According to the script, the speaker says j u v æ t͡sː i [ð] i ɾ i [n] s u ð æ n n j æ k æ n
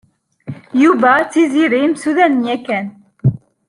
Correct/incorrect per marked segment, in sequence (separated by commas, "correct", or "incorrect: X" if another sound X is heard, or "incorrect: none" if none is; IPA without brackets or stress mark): incorrect: z, incorrect: m